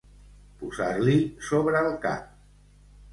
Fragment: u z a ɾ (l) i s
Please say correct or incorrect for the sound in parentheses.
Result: correct